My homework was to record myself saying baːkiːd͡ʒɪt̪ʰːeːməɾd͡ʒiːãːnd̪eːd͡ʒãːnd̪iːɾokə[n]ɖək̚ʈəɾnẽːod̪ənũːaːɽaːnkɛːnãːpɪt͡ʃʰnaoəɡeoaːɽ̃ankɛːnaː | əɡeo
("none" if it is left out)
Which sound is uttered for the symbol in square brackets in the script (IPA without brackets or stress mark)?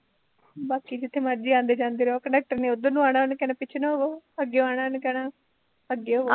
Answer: ɳ